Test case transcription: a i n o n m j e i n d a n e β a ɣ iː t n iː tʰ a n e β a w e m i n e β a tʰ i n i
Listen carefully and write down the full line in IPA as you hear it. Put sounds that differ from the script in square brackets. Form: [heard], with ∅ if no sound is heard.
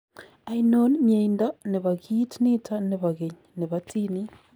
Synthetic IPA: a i n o n m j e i n d a n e β a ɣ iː t n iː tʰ a n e β a [ɣ] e [ɲ] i n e β a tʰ i n i